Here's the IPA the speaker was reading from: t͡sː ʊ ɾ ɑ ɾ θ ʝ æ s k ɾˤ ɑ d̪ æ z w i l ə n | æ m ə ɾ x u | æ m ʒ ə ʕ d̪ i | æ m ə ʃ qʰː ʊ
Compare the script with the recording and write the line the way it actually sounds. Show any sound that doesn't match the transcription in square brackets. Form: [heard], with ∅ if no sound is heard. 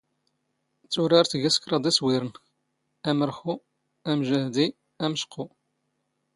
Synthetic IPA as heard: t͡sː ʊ ɾ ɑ ɾ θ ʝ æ s k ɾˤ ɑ d̪ æ [s] w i [ɾ] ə n | æ m ə ɾ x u | æ m ʒ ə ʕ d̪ i | æ m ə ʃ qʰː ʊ